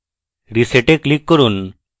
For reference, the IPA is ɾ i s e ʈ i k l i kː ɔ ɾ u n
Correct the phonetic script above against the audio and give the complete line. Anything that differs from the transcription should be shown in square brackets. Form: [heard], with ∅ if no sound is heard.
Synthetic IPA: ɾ i s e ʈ [e] k l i kː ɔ ɾ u n